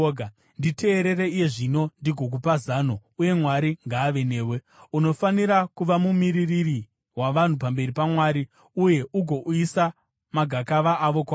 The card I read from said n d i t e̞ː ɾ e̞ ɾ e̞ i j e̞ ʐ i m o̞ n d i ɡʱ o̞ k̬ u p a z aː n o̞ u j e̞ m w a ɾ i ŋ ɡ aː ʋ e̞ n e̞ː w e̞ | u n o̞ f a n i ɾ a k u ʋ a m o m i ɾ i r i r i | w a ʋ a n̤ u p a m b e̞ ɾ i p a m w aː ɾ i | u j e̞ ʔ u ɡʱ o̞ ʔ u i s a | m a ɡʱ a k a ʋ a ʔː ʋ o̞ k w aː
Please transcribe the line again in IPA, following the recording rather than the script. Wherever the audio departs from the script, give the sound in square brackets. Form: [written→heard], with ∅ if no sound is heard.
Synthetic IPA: n d i t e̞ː ɾ e̞ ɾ e̞ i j e̞ ʐ i [m→n] o̞ n d i ɡʱ o̞ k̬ u p a z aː n o̞ u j e̞ m w a ɾ i ŋ ɡ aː ʋ e̞ n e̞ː w e̞ | u n o̞ f a n i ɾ a k u ʋ a m [o→u] m i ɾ i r i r i | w a ʋ a n̤ u p a m b e̞ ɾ i p a m w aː ɾ i | u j e̞ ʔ u ɡʱ o̞ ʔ u i s a | m a ɡʱ a k a ʋ a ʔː ʋ o̞ k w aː